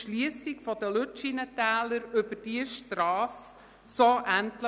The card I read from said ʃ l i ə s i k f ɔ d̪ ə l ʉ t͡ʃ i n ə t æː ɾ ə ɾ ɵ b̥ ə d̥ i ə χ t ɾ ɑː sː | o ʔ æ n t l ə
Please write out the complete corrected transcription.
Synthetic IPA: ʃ l i ə s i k f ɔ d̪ ə l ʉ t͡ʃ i n ə t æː l ə ɾ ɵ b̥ ə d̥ i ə ʃ t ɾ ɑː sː | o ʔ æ n t l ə